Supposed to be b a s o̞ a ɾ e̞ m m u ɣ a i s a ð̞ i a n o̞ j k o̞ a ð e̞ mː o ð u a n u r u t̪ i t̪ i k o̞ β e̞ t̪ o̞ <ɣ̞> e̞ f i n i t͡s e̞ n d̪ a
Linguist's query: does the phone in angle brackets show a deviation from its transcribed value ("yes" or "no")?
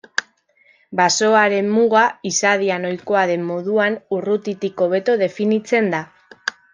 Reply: yes